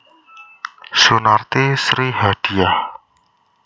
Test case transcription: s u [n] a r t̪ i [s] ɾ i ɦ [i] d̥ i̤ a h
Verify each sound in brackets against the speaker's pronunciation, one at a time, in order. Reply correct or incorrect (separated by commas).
correct, correct, incorrect